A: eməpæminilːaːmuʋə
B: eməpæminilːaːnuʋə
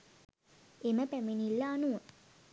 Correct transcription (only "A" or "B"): B